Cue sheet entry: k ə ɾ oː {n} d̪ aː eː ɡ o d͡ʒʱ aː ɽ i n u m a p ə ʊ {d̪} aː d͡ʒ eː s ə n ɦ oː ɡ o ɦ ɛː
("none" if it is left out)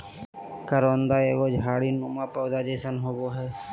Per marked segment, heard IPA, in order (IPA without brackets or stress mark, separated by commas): n, d̪